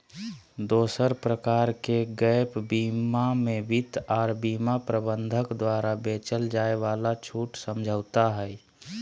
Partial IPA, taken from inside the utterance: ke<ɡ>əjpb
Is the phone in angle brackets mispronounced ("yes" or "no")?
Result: no